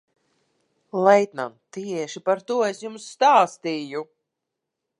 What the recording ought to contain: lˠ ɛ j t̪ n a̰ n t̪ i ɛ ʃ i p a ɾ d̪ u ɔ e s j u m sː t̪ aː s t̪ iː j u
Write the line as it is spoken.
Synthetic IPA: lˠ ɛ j t̪ n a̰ n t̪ i ɛ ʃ i p a ɾ t̪ u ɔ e s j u m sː t̪ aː s t̪ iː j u